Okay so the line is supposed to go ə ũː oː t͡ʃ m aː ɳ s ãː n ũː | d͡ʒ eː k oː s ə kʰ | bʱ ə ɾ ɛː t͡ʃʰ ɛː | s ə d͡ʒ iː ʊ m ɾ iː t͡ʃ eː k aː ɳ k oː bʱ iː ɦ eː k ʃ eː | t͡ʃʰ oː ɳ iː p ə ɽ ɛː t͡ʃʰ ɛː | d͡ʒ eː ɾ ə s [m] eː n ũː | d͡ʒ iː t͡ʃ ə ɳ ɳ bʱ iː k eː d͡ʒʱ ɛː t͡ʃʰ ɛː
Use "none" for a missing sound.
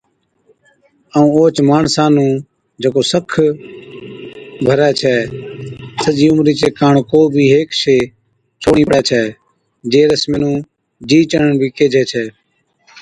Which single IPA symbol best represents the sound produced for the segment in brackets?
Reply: m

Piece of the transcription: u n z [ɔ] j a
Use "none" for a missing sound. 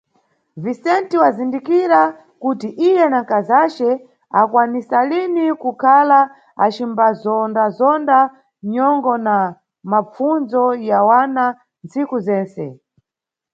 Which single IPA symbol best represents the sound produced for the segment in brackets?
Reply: ɔ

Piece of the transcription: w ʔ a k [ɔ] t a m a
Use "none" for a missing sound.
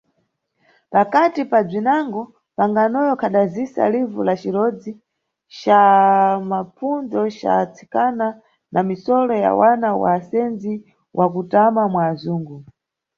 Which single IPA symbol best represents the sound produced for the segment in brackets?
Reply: u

